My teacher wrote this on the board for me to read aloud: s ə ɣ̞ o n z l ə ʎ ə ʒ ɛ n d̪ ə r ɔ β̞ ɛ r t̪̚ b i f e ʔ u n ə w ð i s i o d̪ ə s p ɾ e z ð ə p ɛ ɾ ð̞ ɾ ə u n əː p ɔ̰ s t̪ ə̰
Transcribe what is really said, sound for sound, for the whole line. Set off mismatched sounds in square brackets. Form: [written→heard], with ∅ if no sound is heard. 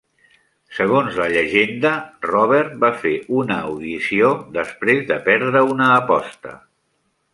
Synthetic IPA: s ə ɣ̞ o n z l ə ʎ ə ʒ [ɛ→e] n d̪ ə r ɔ β̞ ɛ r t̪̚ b [i→a] f e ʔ u n ə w ð i s i o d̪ ə s p ɾ e z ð ə p ɛ ɾ ð̞ ɾ ə u n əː p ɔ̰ s t̪ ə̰

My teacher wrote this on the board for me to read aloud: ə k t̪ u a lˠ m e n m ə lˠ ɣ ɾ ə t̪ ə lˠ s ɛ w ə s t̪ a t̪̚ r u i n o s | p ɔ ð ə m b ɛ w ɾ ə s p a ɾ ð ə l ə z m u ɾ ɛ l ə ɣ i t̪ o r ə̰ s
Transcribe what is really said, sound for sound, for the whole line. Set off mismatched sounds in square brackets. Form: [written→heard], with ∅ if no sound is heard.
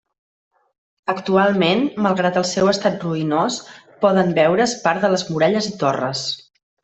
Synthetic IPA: ə k t̪ u a lˠ m e n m ə lˠ ɣ ɾ [ə→a] t̪ ə lˠ s ɛ w ə s t̪ a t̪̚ r u i n o s | p ɔ ð ə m b ɛ w ɾ ə s p a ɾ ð ə l ə z m u ɾ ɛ [l→ʎ] ə [ɣ→z] i t̪ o r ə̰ s

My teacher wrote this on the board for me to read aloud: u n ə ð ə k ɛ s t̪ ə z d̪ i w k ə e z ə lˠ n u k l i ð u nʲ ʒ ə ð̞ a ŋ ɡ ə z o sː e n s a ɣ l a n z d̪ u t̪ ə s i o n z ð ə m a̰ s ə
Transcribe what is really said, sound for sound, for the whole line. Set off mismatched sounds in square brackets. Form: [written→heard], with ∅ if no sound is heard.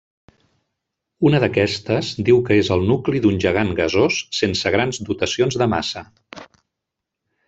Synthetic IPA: u n ə ð ə k ɛ s t̪ ə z d̪ i w k ə e z ə lˠ n u k l i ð u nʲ ʒ ə [ð̞→ɣ̞] a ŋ ɡ ə z o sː e n s [a→ə] ɣ [l→ɾ] a n z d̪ u t̪ ə s i o n z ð ə m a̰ s ə

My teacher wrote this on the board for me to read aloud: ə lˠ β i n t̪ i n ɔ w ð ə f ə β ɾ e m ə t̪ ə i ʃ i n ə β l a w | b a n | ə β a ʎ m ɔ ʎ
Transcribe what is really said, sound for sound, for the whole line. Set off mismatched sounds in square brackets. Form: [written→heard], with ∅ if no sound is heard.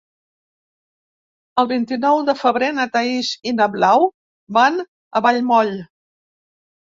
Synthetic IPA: ə lˠ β i n t̪ i n ɔ w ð ə f ə β ɾ e [m→n] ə t̪ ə i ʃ i n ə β l a w | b a n | ə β a ʎ m ɔ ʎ

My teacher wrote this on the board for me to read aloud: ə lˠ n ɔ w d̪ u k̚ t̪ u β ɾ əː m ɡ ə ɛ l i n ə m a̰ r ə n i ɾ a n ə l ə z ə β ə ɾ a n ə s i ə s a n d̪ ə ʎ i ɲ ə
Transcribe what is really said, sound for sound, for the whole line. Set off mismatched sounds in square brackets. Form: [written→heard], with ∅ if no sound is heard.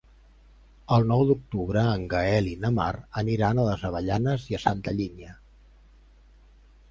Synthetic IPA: ə lˠ n ɔ w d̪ u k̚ t̪ u β ɾ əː [m→ŋ] ɡ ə ɛ l i n ə m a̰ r ə n i ɾ a n ə l ə z ə β ə [ɾ→ʎ] a n ə [s→z] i ə s a n [d̪→t̪] ə ʎ i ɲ ə

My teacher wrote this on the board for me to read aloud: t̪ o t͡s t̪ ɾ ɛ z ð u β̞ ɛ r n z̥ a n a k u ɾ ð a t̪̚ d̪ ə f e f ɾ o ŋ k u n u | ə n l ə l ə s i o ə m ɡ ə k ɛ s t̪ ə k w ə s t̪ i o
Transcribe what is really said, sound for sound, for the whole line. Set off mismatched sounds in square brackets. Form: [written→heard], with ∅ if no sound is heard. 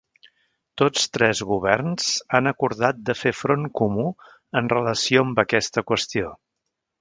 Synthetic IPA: t̪ o t͡s t̪ ɾ ɛ z [ð→ɣ] u β̞ ɛ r n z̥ a n [a→ə] k u ɾ ð a t̪̚ d̪ ə f e f ɾ o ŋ k u [n→m] u | ə n [l→r] ə l ə s i o ə m [ɡ→b] ə k ɛ s t̪ ə k w ə s t̪ i o

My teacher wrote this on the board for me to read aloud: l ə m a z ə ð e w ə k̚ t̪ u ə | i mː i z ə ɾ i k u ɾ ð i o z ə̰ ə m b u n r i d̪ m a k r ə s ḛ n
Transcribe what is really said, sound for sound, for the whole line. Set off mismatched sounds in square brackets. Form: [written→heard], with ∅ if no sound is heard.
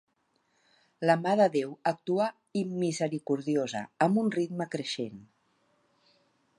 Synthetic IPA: l ə m a [z→ð] ə ð e w ə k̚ t̪ u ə | i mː i z ə ɾ i k u ɾ ð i o z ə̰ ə m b u n r i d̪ m [a→ə] k [r→ɾ] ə [s→ʃ] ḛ n

